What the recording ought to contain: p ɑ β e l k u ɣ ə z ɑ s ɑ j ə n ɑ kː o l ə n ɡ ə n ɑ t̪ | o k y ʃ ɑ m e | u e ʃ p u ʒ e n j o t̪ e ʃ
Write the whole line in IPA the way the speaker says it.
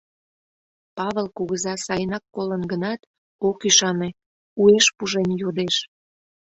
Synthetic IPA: p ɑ β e l k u ɣ ə z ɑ s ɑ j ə n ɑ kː o l ə n ɡ ə n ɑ t̪ | o k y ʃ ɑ n e | u e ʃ p u ʒ e n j o d̪ e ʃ